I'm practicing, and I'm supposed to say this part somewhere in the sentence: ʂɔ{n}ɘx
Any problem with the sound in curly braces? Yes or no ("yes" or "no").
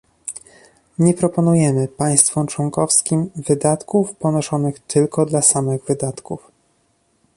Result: no